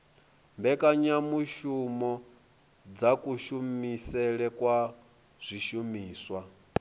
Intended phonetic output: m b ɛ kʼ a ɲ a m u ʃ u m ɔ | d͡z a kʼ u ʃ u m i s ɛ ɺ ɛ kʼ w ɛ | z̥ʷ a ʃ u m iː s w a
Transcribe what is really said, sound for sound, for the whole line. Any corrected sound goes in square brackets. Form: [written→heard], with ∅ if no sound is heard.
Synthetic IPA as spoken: m b ɛ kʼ a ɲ a m u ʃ u m ɔ | d͡z a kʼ u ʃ u m i s ɛ ɺ ɛ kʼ w [ɛ→a] | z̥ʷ [a→i] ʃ u m iː s w a